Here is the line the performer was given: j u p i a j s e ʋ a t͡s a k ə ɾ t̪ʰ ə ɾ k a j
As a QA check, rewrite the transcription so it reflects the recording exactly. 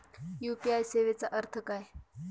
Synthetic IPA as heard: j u p i a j s e ʋ e t͡s a ʔ ə ɾ t̪ʰ ə k a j